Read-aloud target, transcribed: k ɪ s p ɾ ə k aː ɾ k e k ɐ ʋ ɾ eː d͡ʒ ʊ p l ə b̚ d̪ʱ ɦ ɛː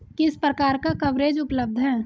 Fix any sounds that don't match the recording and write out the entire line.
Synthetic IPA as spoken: k ɪ s p ɾ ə k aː ɾ k a k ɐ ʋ ɾ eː d͡ʒ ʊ p l ə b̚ d̪ʱ ɦ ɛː